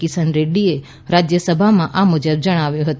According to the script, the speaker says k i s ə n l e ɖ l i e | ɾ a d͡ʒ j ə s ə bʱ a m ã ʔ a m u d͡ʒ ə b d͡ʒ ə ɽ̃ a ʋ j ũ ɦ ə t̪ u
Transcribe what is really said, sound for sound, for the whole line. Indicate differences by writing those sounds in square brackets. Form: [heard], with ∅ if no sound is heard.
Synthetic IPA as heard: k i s ə n [ɾ] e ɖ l i e | ɾ a d͡ʒ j ə s ə bʱ a m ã ʔ a m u d͡ʒ ə b d͡ʒ ə ɽ̃ a ʋ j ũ ɦ ə t̪ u